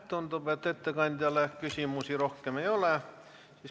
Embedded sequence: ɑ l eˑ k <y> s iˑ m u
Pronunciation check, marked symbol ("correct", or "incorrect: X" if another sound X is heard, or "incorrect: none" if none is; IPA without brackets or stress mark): correct